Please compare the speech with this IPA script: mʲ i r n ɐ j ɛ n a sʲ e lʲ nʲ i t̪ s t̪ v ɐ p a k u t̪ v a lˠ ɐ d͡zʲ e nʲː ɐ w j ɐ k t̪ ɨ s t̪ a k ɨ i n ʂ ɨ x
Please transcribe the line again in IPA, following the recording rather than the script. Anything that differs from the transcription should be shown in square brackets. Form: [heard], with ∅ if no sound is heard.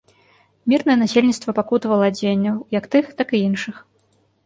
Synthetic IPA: mʲ i r n ɐ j ɛ n a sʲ e lʲ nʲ i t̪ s t̪ v ɐ p a k u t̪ v [ɐ] lˠ ɐ d͡zʲ e nʲː ɐ w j ɐ k t̪ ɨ [x] t̪ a k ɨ i n ʂ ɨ x